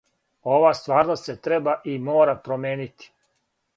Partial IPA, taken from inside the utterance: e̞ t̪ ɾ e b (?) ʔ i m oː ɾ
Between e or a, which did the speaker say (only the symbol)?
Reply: a